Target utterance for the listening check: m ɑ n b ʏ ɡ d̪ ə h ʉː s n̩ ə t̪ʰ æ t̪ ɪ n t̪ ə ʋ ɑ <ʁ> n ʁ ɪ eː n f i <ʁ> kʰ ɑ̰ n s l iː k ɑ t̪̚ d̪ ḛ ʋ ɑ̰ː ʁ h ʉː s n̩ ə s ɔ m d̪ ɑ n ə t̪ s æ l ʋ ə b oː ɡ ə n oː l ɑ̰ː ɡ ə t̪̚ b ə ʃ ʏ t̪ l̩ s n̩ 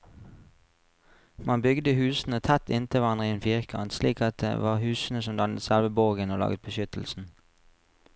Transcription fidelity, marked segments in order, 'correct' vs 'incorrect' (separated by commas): incorrect, correct